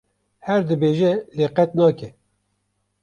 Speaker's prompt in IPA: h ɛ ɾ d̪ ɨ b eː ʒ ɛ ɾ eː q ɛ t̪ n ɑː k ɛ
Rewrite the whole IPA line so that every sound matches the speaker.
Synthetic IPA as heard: h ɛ ɾ d̪ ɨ b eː ʒ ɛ l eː q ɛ t̪ n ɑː k ɛ